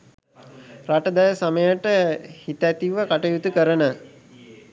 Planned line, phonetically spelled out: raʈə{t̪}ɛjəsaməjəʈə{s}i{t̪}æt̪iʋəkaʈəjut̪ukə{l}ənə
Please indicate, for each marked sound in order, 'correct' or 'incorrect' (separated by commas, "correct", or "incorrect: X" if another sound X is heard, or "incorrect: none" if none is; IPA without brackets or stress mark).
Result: incorrect: d̪, incorrect: h, correct, incorrect: ɾ